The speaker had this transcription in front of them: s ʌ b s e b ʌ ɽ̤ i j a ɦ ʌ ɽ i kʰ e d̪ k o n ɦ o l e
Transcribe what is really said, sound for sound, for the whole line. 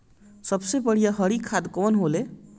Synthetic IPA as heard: s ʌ b s e b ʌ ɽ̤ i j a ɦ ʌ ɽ i kʰ a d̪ k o n ɦ o l e